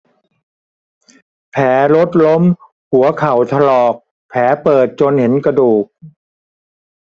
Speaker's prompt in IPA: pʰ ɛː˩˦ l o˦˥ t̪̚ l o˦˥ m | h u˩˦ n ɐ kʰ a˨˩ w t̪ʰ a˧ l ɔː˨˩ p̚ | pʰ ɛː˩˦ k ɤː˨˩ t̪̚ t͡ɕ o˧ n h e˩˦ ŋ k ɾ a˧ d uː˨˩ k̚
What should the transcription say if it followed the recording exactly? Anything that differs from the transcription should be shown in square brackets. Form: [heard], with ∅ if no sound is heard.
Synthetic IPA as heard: pʰ ɛː˩˦ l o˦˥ t̪̚ l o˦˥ m | h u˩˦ [∅] ɐ kʰ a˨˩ w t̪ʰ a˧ l ɔː˨˩ [k̚] | pʰ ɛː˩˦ [p] ɤː˨˩ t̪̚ t͡ɕ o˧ n h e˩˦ [n] k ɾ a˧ d uː˨˩ k̚